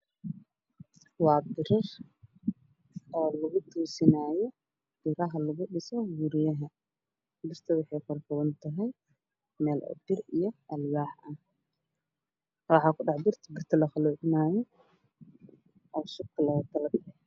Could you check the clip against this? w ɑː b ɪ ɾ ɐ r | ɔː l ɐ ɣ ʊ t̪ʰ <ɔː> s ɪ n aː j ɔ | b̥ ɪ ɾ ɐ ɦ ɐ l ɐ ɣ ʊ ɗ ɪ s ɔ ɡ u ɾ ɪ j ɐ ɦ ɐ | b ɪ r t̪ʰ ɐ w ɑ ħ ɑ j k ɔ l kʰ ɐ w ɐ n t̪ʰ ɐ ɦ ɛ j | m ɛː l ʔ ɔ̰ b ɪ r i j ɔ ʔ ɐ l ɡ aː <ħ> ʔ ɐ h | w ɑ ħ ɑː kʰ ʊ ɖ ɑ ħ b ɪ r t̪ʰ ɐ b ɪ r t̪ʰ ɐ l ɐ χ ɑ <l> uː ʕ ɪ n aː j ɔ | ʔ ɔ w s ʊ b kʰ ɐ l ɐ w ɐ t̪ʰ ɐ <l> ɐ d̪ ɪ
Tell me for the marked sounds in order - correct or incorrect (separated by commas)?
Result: incorrect, correct, correct, correct